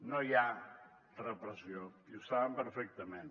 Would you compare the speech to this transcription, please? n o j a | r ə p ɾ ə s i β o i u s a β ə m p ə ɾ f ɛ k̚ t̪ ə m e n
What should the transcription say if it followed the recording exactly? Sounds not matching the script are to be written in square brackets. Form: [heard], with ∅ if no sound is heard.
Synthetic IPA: n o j a | r ə p ɾ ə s i [∅] o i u s a β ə m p ə ɾ f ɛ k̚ t̪ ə m e n